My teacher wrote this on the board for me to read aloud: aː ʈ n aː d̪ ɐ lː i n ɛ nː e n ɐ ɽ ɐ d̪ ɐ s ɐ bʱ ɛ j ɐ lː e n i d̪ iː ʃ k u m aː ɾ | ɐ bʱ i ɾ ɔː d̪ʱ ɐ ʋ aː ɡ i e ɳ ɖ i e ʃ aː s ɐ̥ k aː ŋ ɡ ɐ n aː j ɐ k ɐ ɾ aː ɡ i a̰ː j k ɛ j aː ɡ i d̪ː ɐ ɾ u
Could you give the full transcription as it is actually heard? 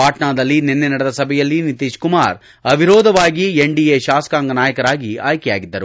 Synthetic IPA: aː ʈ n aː d̪ ɐ lː i n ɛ nː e n ɐ ɽ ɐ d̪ ɐ s ɐ bʱ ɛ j ɐ lː i n i t̪ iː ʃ k u m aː ɾ | ɐ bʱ i ɾ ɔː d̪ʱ ɐ ʋ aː ɡ i e ɳ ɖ i e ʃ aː s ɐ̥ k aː ŋ ɡ ɐ n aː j ɐ k ɐ ɾ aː ɡ i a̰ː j k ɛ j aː ɡ i d̪ː ɐ ɾ u